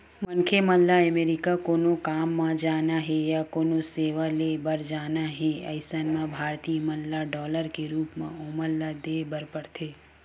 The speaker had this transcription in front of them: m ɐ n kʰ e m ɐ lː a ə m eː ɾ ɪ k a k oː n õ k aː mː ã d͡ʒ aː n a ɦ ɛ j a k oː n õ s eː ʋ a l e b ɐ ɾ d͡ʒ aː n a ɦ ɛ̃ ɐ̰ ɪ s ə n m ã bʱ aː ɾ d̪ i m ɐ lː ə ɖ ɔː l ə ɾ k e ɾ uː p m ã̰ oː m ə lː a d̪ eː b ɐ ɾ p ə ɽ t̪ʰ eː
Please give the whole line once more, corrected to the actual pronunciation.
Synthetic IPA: m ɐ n kʰ e m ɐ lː a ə m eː ɾ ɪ k a k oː n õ k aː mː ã d͡ʒ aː n a ɦ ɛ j a k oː n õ s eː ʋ a l e b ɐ ɾ d͡ʒ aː n a ɦ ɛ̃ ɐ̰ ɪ s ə n m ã bʱ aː ɾ t̪ i m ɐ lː a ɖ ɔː l ə ɾ k e ɾ uː p m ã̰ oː m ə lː a d̪ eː b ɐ ɾ p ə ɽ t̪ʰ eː